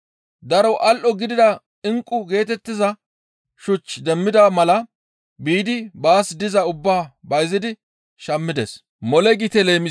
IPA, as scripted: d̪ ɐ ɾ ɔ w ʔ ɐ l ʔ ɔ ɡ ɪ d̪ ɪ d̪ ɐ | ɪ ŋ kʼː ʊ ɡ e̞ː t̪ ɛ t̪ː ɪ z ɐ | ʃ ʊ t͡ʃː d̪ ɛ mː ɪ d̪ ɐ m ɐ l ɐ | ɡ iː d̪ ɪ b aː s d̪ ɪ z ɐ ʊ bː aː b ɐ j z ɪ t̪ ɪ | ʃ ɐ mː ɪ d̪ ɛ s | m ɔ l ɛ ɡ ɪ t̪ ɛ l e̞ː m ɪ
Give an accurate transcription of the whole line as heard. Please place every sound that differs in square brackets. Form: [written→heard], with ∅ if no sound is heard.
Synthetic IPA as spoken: d̪ ɐ ɾ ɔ w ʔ ɐ l ʔ ɔ ɡ ɪ d̪ ɪ d̪ ɐ | ɪ ŋ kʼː ʊ ɡ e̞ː t̪ ɛ t̪ː ɪ z ɐ | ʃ ʊ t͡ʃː d̪ ɛ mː ɪ d̪ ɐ m ɐ l ɐ | [ɡ→b] iː d̪ ɪ b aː s d̪ ɪ z ɐ ʊ bː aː b ɐ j z ɪ [t̪→d̪] ɪ | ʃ ɐ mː ɪ d̪ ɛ s | m ɔ l ɛ ɡ ɪ t̪ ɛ l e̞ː m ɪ